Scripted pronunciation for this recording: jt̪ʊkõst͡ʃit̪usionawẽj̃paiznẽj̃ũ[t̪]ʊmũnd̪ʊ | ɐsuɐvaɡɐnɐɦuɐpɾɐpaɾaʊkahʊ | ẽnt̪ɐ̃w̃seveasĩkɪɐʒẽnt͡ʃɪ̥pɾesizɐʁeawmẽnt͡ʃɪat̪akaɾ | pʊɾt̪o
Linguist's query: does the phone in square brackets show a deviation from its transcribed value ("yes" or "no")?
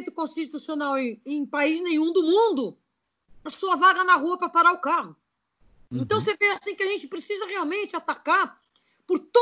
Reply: yes